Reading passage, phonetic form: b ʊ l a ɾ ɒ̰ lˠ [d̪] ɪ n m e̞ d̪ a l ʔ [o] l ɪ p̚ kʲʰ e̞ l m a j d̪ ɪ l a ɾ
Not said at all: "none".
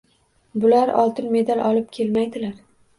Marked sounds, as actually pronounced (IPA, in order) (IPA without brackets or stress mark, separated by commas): t̪, ɒ